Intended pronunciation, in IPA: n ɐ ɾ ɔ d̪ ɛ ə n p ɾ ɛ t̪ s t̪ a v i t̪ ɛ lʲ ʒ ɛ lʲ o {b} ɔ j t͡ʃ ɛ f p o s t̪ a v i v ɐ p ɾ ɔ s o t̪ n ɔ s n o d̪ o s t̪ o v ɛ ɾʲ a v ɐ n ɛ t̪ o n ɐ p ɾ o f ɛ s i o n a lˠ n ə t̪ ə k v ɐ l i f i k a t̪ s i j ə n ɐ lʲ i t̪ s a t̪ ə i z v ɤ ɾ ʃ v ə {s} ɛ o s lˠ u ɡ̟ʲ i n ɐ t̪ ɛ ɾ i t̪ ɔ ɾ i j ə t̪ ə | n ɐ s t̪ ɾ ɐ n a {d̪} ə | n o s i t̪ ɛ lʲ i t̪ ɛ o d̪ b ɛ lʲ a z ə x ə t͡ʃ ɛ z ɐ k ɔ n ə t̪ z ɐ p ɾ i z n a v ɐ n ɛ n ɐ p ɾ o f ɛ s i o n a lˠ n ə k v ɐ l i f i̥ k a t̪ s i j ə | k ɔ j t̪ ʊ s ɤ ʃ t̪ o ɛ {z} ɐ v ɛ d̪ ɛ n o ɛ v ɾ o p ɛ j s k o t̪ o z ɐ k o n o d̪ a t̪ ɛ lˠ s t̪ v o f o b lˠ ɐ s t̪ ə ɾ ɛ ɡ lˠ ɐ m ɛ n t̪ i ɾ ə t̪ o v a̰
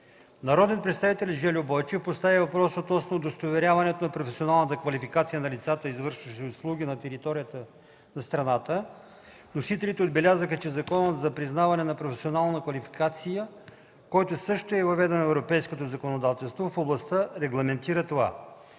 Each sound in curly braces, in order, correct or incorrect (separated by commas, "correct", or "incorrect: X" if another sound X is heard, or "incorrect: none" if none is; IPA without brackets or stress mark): correct, incorrect: ʃ, incorrect: t̪, incorrect: v